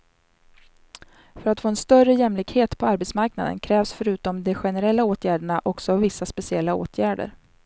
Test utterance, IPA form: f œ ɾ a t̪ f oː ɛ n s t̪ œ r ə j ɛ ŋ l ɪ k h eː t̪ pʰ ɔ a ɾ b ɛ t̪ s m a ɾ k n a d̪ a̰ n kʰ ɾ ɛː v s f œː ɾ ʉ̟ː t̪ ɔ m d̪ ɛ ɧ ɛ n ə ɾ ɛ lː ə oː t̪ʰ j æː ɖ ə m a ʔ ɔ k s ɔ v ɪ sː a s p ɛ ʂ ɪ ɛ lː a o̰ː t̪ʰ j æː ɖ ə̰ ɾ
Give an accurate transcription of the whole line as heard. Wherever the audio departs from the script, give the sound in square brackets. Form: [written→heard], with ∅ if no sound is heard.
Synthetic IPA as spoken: f œ ɾ a t̪ f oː ɛ n s t̪ œ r ə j ɛ [ŋ→m] l ɪ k h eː t̪ pʰ ɔ a ɾ b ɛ t̪ s m a ɾ k n a d̪ [a̰→ə̰] n kʰ ɾ ɛː v s f [œː→œ] ɾ ʉ̟ː t̪ ɔ m d̪ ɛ ɧ ɛ n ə ɾ ɛ lː [ə→a] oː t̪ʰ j æː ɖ ə [m→ɳ] a ʔ ɔ k s ɔ v ɪ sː a s p ɛ [ʂ→s] ɪ ɛ lː a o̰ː t̪ʰ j æː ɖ ə̰ ɾ